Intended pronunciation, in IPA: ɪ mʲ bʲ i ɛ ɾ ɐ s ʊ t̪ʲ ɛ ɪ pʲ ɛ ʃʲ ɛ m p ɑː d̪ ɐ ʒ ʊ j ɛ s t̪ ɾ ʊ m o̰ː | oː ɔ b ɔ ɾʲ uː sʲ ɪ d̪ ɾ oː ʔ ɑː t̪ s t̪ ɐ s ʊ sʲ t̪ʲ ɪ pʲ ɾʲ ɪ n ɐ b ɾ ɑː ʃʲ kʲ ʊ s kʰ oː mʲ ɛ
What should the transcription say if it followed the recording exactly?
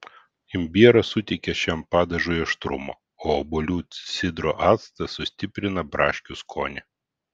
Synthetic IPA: ɪ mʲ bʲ i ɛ ɾ ɐ s ʊ t̪ʲ ɛ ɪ kʲ ɛ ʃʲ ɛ m p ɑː d̪ ɐ ʒ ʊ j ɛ ʃ t̪ ɾ ʊ m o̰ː | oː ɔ b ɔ lʲ uː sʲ ɪ d̪ ɾ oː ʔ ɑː t̪ s t̪ ɐ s ʊ sʲ t̪ʲ ɪ pʲ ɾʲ ɪ n ɐ b ɾ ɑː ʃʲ kʲ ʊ s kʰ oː nʲ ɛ